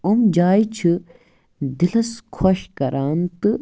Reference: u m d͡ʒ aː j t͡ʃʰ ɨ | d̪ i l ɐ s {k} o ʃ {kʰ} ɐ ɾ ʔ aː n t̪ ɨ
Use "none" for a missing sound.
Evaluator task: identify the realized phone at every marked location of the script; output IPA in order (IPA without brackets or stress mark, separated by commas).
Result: kʰ, k